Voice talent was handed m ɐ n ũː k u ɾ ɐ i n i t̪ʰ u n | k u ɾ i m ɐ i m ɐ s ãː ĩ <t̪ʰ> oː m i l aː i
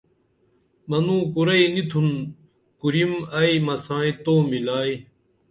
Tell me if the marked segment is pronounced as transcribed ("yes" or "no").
no